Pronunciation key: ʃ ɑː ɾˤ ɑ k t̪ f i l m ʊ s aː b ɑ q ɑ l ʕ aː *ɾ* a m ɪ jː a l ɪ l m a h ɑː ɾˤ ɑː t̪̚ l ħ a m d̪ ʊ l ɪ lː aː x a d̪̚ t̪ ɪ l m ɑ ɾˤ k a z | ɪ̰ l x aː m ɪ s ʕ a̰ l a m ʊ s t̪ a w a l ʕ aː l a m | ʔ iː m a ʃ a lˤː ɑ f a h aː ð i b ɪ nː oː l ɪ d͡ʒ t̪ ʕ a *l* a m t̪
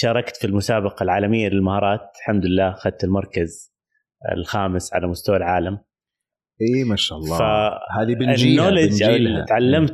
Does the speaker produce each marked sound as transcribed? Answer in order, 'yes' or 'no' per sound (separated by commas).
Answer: no, no